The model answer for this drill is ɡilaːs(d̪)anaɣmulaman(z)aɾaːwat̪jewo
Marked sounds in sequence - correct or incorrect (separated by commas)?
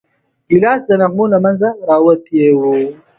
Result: correct, correct